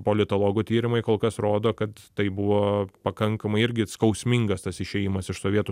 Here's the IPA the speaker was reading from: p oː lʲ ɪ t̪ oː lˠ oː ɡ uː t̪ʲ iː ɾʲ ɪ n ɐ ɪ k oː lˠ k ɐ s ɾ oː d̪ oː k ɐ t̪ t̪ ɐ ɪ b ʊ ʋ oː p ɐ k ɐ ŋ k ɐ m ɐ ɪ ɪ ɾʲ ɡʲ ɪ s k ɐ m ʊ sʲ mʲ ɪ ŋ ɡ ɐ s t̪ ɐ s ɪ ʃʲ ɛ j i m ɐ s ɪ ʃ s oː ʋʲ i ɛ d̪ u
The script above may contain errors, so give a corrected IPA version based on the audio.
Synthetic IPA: p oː lʲ ɪ t̪ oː lˠ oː ɡ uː t̪ʲ iː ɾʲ ɪ m ɐ ɪ k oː lˠ k ɐ s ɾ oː d̪ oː k ɐ t̪ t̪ ɐ ɪ b ʊ ʋ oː p ɐ k ɐ ŋ k ɐ m ɐ ɪ ɪ ɾʲ ɡʲ ɪ s k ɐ ʊ sʲ mʲ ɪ ŋ ɡ ɐ s t̪ ɐ s ɪ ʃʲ ɛ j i m ɐ s ɪ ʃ s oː ʋʲ i ɛ t̪ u

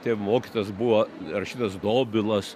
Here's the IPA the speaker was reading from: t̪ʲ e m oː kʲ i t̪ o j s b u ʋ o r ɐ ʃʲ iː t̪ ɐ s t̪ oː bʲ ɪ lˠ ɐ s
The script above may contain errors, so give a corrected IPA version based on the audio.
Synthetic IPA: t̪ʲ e m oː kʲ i t̪ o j s b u ʋ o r ɐ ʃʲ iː t̪ ɐ s d̪ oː bʲ ɪ lˠ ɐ s

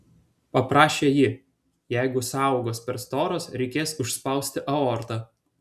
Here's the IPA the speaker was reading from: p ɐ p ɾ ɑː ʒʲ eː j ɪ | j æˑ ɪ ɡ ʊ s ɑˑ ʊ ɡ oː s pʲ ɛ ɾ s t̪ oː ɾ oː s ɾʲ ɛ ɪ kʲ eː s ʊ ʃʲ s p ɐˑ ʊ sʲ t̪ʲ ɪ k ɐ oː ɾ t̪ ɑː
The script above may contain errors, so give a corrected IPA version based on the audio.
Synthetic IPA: p ɐ p ɾ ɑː ʃʲ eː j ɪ | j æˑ ɪ ɡ ʊ s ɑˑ ʊ ɡ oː s pʲ ɛ ɾ s t̪ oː ɾ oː s ɾʲ ɛ ɪ kʲ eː s ʊ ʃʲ s p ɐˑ ʊ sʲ t̪ʲ ɪ ʔ ɐ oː ɾ t̪ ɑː

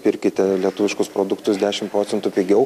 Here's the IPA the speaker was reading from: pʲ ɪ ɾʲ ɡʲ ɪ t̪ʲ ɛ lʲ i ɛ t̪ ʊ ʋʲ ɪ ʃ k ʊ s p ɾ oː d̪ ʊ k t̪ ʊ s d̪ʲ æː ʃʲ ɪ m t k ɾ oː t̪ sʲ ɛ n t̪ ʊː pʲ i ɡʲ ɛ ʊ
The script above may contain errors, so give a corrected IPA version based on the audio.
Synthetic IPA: pʲ ɪ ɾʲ kʲ ɪ t̪ʲ ɛ lʲ i ɛ t̪ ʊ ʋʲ ɪ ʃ k ʊ s p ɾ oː d̪ ʊ k t̪ ʊ s d̪ʲ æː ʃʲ ɪ m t p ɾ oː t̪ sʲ ɛ n t̪ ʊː pʲ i ɡʲ ɛ ʊ

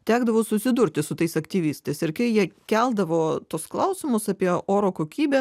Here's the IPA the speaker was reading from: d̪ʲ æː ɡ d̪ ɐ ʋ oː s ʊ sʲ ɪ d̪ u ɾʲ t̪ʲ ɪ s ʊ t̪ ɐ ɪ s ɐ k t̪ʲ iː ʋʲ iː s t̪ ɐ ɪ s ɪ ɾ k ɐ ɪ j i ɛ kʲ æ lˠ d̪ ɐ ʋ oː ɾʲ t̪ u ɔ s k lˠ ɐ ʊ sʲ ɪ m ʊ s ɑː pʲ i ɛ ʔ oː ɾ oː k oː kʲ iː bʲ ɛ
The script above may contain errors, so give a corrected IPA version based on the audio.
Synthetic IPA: t̪ʲ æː ɡ d̪ ɐ ʋ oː s ʊ sʲ ɪ d̪ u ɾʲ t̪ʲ ɪ s ʊ t̪ ɐ ɪ s ɐ k t̪ʲ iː ʋʲ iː s t̪ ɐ ɪ s ɪ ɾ k ɐ ɪ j i ɛ kʲ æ lˠ d̪ ɐ ʋ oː t̪ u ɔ s k lˠ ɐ ʊ sʲ ɪ m ʊ s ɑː pʲ i ɛ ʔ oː ɾ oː k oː kʲ iː bʲ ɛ

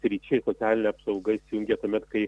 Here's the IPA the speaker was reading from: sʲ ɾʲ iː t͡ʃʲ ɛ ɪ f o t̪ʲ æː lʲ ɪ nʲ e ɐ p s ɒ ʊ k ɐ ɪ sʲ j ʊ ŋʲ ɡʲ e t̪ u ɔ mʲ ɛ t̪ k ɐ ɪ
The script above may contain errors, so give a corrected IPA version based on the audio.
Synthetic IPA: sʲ ɾʲ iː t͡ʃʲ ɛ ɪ s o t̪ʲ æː lʲ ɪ nʲ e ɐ p s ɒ ʊ ɡ ɐ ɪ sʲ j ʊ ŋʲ ɡʲ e t̪ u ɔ mʲ ɛ t̪ k ɐ ɪ

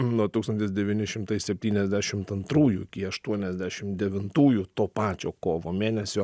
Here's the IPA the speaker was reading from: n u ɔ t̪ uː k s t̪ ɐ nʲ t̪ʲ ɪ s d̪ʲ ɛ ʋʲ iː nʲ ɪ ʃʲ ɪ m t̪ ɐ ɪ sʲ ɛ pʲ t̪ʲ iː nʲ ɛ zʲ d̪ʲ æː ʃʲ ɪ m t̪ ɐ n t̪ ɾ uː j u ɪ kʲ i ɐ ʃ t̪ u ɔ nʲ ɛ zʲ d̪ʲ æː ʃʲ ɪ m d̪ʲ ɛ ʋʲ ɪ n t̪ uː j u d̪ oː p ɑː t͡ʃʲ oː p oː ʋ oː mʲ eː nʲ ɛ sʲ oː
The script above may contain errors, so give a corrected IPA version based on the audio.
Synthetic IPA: n u ɔ t̪ uː k s t̪ ɐ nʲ t̪ʲ ɪ s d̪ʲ ɛ ʋʲ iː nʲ ɪ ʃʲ ɪ m t̪ ɐ ɪ sʲ ɛ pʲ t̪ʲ iː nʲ ɛ zʲ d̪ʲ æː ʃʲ ɪ m t̪ ɐ n t̪ ɾ uː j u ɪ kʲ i ɐ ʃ t̪ u ɔ nʲ ɛ zʲ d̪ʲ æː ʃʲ ɪ m d̪ʲ ɛ ʋʲ ɪ n t̪ uː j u t̪ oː p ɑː t͡ʃʲ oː k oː ʋ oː mʲ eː nʲ ɛ sʲ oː

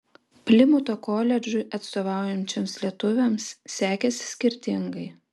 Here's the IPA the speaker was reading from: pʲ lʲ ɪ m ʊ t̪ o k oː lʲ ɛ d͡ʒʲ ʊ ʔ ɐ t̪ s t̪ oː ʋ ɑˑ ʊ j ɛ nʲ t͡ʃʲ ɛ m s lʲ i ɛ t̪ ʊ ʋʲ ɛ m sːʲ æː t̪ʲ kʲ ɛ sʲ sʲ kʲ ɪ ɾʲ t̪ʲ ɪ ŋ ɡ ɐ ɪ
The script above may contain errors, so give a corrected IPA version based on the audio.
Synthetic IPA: pʲ lʲ ɪ m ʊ t̪ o k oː lʲ ɛ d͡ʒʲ ʊ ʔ ɐ t̪ s t̪ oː ʋ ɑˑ ʊ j ɛ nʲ t͡ʃʲ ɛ m s lʲ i ɛ t̪ ʊ ʋʲ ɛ m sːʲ æː kʲ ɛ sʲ sʲ kʲ ɪ ɾʲ t̪ʲ ɪ ŋ ɡ ɐ ɪ

